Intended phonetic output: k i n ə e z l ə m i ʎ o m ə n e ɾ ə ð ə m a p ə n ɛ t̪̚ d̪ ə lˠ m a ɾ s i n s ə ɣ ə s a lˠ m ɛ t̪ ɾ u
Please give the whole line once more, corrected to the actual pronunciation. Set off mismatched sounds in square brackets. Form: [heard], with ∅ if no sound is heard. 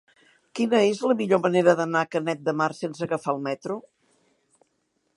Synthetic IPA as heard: k i n ə e z l ə m i ʎ o m ə n e ɾ ə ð ə [n] a [k] ə n ɛ t̪̚ d̪ ə [∅] m a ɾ s [e] n s ə ɣ ə [f] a lˠ m ɛ t̪ ɾ u